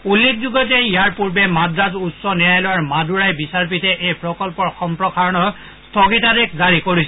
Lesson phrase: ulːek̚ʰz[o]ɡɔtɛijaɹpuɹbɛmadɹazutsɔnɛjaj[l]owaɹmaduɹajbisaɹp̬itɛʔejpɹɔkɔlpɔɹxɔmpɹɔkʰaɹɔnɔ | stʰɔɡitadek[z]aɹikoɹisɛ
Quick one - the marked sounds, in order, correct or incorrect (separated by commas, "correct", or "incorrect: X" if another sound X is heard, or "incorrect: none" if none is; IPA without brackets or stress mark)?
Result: incorrect: u, correct, correct